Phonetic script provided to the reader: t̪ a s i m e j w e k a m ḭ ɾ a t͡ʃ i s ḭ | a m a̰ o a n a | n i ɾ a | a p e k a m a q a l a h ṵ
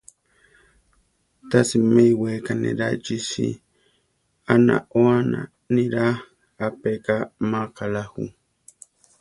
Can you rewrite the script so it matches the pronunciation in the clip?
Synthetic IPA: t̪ a s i m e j w e k a n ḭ ɾ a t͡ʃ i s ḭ | a n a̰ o a n a | n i ɾ a | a p e k a m a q a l a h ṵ